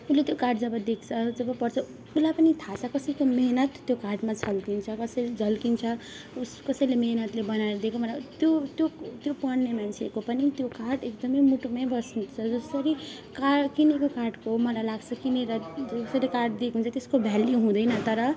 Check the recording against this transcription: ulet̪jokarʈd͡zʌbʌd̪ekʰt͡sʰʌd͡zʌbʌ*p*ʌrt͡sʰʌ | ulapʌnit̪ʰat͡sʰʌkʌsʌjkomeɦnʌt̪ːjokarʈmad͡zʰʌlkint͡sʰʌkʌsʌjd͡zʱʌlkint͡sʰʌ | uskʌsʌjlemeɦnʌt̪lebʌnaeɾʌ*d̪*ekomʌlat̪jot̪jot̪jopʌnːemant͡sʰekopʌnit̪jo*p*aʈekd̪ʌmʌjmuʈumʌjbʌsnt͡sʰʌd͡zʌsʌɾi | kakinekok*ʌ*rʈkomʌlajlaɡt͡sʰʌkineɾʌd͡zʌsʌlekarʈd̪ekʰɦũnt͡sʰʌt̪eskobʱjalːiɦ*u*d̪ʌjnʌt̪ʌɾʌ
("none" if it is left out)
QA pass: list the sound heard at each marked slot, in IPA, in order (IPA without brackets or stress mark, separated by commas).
p, d̪, k, a, ũ